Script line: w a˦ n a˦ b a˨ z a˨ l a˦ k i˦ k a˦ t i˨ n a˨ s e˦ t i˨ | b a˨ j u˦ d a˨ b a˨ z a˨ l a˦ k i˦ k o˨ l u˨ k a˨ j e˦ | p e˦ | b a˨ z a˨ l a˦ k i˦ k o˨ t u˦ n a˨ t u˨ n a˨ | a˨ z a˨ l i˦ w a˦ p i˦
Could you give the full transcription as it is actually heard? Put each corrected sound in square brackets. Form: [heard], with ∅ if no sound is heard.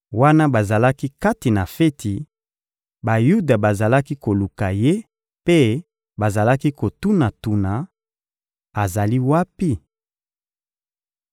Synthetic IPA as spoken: w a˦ n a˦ b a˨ z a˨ l a˦ k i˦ k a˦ t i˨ n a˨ [f] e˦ t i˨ | b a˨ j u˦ d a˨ b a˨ z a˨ l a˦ k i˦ k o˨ l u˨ k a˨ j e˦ | p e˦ | b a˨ z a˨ l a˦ k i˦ k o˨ t u˦ n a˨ t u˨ n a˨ | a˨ z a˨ l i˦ w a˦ p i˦